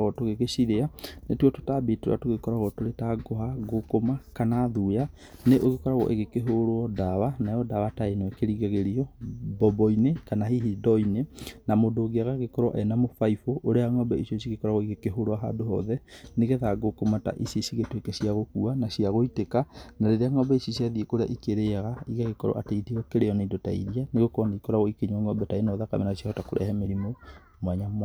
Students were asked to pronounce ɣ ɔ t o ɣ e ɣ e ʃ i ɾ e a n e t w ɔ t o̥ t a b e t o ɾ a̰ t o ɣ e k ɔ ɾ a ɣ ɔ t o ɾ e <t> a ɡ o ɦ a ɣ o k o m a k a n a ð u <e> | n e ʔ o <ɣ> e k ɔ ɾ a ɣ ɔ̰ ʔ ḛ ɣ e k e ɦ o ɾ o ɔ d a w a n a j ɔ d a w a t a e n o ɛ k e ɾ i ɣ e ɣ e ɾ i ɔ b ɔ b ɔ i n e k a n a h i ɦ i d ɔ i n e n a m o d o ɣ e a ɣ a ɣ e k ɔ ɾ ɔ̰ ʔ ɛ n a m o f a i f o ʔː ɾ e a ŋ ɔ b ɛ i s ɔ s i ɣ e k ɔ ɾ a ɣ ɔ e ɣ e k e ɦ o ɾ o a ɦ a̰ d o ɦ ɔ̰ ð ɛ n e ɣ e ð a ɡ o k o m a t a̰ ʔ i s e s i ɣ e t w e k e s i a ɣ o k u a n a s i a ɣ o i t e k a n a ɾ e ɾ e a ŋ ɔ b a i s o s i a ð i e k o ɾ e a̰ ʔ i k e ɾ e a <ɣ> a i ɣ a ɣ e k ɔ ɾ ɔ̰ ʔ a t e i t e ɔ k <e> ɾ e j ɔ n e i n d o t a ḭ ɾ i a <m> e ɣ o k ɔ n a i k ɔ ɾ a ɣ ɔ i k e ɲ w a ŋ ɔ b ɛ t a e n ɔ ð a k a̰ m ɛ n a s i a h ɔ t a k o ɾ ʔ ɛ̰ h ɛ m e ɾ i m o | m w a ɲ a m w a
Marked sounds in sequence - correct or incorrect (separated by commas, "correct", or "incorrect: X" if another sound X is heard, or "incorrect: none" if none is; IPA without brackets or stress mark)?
correct, incorrect: a, correct, correct, correct, incorrect: n